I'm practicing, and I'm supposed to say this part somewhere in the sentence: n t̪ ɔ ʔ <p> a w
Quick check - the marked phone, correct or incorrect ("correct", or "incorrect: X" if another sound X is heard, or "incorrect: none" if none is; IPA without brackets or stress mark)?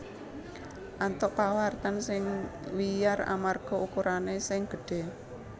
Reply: correct